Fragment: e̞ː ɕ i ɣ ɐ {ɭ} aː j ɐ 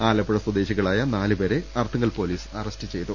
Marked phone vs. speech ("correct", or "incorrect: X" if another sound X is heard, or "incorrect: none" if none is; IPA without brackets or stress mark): correct